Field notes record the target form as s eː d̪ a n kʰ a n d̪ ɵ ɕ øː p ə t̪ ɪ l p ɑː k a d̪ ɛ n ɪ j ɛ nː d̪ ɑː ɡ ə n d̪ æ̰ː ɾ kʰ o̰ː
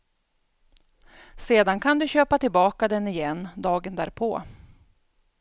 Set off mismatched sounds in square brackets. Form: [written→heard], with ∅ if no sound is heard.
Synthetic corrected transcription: s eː d̪ a n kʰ a n d̪ ɵ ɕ øː p [ə→a] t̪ ɪ l [p→b] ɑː k a d̪ ɛ n ɪ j ɛ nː d̪ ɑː ɡ ə n d̪ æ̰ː ɾ [kʰ→pʰ] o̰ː